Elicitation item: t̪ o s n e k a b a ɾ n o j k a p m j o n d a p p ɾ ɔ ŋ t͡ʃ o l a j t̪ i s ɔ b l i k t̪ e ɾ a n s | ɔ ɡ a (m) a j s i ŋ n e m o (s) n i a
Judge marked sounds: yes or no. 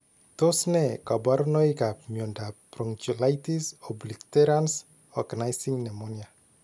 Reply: no, no

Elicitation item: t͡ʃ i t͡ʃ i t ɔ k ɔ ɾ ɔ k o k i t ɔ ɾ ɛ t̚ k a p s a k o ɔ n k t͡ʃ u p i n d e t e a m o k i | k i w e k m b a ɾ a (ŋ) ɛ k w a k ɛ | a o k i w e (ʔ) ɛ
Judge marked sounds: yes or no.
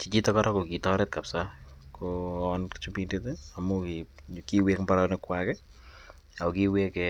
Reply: no, no

